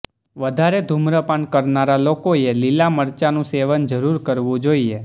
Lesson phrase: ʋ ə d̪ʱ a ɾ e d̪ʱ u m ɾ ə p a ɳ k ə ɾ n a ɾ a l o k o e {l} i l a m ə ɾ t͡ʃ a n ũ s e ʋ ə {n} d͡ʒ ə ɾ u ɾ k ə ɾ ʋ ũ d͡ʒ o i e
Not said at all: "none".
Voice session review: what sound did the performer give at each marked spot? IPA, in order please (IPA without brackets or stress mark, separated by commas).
l, n